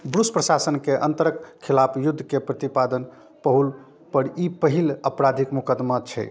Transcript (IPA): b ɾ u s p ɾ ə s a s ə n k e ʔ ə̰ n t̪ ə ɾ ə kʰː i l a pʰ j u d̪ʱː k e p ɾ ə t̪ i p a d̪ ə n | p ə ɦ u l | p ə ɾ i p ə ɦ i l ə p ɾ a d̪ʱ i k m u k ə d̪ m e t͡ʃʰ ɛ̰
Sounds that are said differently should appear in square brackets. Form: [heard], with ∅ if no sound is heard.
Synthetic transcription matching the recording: b ɾ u s p ɾ ə s a s ə n k e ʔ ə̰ n t̪ ə ɾ ə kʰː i l a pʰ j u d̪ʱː k e p ɾ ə t̪ i p a d̪ ə n | p ə ɦ u l | p ə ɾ i p ə ɦ i l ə p ɾ a d̪ʱ i k m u k ə d̪ m [a] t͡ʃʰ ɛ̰